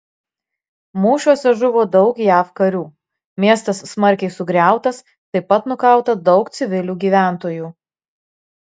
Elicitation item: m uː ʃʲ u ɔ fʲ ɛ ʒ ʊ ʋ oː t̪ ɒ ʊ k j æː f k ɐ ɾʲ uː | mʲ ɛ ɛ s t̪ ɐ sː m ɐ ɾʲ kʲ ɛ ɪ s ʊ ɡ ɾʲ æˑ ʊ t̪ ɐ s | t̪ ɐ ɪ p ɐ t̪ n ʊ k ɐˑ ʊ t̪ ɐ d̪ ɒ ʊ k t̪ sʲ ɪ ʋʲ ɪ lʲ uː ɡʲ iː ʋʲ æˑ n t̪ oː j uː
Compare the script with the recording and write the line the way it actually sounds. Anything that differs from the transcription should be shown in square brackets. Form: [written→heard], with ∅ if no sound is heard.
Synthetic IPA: m uː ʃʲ u ɔ [fʲ→sʲ] ɛ ʒ ʊ ʋ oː [t̪→d̪] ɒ ʊ k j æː f k ɐ ɾʲ uː | mʲ [ɛ→i] ɛ s t̪ ɐ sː m ɐ ɾʲ kʲ ɛ ɪ s ʊ ɡ ɾʲ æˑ ʊ t̪ ɐ s | t̪ ɐ ɪ p ɐ t̪ n ʊ k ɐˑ ʊ t̪ ɐ d̪ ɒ ʊ k t̪ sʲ ɪ ʋʲ ɪ lʲ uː ɡʲ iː ʋʲ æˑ n t̪ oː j uː